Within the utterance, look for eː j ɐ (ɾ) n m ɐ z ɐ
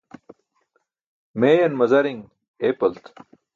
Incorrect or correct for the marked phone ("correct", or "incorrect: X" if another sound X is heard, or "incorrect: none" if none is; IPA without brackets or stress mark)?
incorrect: none